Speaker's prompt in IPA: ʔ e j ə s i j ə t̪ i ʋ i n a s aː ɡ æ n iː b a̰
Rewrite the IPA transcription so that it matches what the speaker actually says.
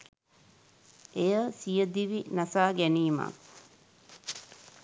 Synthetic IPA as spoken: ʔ e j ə s i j ə d̪ i ʋ i n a s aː ɡ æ n iː m a̰